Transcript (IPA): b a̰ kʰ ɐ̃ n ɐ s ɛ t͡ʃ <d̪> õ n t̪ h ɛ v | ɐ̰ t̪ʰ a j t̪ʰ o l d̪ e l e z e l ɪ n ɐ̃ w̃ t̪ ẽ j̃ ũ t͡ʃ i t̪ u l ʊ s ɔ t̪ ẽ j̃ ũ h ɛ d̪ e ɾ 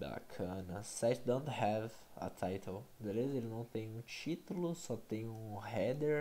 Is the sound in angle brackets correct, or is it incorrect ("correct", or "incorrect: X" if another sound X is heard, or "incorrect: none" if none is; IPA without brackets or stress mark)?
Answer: correct